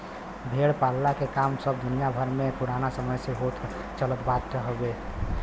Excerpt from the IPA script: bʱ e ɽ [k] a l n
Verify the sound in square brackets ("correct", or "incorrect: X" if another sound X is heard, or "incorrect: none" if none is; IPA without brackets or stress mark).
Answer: incorrect: p